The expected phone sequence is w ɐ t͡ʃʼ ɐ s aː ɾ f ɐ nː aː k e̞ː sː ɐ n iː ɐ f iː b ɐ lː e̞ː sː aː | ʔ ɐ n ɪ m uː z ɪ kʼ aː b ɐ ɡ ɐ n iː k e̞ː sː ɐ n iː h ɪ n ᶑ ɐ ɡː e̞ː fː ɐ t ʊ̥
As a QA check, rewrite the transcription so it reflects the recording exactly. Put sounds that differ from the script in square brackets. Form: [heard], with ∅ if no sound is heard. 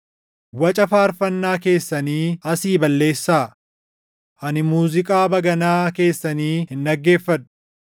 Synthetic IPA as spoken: w ɐ t͡ʃʼ ɐ [f] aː ɾ f ɐ nː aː k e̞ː sː ɐ n iː ɐ [s] iː b ɐ lː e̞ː sː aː | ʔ ɐ n ɪ m uː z ɪ kʼ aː b ɐ ɡ ɐ n [aː] k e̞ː sː ɐ n iː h ɪ n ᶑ ɐ ɡː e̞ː fː ɐ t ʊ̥